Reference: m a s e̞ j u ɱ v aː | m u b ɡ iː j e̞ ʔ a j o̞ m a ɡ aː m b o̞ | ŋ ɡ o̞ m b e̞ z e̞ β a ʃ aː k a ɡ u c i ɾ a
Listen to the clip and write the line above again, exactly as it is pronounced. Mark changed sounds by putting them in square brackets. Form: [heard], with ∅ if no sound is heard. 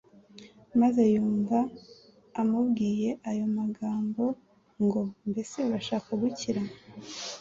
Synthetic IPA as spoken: m a [z] e̞ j [uː] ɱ v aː | m u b ɡ iː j e̞ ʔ a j o̞ m a ɡ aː m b o̞ | ŋ ɡ o̞ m b e̞ [s] e̞ β a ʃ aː k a ɡ u c i ɾ a